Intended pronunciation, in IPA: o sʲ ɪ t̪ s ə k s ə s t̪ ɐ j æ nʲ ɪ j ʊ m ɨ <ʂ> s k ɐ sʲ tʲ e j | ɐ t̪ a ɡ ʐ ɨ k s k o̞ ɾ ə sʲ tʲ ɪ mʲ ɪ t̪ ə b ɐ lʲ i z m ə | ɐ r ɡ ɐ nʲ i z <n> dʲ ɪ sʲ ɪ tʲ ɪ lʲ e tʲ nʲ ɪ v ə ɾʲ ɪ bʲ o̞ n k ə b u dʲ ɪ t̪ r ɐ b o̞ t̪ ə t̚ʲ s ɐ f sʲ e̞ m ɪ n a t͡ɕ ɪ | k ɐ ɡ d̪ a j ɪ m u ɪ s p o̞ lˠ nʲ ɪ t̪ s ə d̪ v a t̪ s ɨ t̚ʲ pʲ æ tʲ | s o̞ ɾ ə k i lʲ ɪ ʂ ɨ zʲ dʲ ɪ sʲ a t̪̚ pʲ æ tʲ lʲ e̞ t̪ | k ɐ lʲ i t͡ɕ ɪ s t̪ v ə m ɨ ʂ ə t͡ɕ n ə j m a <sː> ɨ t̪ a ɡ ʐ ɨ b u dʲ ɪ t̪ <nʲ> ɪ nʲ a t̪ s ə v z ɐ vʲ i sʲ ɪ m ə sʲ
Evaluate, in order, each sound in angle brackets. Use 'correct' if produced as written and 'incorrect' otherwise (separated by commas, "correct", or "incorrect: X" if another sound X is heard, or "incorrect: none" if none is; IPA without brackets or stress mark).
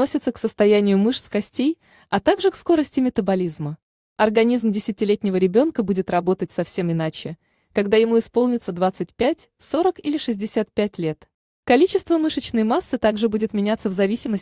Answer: correct, incorrect: m, correct, incorrect: mʲ